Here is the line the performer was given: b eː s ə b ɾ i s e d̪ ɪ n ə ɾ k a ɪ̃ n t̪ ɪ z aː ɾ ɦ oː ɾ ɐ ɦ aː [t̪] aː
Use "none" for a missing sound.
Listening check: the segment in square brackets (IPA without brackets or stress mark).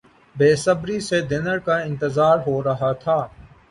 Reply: t̪ʰ